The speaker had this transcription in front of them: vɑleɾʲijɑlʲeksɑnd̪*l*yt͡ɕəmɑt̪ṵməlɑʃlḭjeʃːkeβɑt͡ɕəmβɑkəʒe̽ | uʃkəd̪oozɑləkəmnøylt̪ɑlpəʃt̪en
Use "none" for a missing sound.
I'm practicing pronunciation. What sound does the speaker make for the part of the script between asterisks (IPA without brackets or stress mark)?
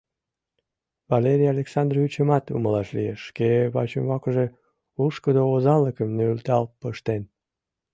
r